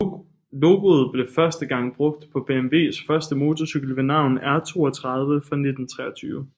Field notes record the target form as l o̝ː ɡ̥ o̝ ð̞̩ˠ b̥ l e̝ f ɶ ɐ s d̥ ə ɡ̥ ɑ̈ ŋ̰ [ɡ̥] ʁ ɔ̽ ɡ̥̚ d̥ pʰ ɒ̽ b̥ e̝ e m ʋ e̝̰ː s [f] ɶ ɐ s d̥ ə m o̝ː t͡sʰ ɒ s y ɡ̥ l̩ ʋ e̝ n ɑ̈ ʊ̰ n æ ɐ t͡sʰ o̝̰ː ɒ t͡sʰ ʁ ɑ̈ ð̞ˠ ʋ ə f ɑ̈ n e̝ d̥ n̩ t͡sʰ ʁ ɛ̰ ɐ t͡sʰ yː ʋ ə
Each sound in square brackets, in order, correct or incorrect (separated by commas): incorrect, correct